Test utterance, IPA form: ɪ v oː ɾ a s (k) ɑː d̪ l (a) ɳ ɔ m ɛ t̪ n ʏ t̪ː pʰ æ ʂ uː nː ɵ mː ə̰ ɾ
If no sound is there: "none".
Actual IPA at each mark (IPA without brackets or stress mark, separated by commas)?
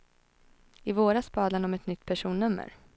p, a